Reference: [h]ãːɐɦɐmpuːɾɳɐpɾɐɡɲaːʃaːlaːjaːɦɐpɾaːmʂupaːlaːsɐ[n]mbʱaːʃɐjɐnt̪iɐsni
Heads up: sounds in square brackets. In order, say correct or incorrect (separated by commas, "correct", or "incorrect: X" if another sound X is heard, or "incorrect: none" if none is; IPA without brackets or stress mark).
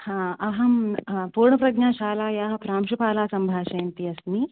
correct, incorrect: none